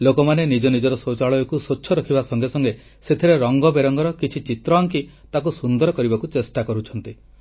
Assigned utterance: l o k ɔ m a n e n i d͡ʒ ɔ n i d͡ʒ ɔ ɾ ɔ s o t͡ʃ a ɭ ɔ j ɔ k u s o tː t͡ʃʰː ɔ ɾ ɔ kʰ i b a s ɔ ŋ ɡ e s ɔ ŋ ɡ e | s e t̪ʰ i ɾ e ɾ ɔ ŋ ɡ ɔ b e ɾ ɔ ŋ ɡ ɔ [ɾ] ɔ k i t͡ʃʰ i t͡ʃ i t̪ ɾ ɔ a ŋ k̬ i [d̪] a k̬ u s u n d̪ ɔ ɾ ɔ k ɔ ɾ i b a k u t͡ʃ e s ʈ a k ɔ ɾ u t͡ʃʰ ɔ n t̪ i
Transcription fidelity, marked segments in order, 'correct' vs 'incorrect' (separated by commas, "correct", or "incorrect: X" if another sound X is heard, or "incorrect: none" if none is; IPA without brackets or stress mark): correct, incorrect: t̪